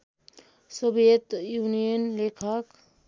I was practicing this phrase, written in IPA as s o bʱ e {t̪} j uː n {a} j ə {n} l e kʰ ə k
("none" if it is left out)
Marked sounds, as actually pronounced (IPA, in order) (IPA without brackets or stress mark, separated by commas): t̪, i, n